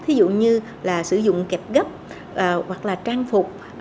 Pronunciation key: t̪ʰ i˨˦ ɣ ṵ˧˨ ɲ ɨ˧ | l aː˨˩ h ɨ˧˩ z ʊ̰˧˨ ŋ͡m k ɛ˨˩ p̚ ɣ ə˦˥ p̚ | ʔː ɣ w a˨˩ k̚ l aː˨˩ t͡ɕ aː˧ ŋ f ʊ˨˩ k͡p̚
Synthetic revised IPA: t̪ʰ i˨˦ z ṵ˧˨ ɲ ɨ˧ | l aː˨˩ s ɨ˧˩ z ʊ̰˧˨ ŋ͡m k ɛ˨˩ p̚ ɣ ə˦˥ p̚ | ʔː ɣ w a˨˩ k̚ l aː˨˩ t͡ɕ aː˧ ŋ f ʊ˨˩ k͡p̚